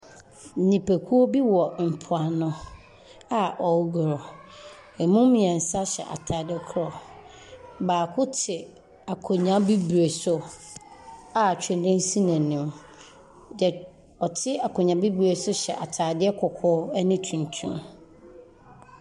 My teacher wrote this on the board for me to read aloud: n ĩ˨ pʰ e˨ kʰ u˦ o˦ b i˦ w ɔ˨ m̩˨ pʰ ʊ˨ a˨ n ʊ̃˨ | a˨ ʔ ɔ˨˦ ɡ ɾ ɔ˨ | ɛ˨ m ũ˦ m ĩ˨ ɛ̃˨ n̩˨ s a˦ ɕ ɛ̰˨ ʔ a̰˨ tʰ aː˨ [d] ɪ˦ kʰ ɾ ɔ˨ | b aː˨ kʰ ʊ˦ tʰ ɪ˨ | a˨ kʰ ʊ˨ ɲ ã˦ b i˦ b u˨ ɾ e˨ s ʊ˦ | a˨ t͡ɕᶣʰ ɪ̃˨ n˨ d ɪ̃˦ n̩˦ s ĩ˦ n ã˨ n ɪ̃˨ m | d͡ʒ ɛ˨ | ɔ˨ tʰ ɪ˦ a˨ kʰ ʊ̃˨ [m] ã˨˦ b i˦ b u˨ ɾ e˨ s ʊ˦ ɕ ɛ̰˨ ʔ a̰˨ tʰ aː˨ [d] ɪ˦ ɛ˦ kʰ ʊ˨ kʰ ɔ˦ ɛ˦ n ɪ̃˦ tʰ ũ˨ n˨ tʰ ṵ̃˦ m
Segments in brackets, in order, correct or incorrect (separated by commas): correct, incorrect, correct